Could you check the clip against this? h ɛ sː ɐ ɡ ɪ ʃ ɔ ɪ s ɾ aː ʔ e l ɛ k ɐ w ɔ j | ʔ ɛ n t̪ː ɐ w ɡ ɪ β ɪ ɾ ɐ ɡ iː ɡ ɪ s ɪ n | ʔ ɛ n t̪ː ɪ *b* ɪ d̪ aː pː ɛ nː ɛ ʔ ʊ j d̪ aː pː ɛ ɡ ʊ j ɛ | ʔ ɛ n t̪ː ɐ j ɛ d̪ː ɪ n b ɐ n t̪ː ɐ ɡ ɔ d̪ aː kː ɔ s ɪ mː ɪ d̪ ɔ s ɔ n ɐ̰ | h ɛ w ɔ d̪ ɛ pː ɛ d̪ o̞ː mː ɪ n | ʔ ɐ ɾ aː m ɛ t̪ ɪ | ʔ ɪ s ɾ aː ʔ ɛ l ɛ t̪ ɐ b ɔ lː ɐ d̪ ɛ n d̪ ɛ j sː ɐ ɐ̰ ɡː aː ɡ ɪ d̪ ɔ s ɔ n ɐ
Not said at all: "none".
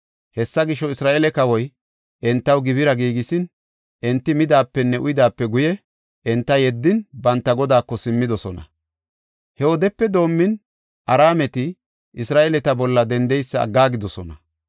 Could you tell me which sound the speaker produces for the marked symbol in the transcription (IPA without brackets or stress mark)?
m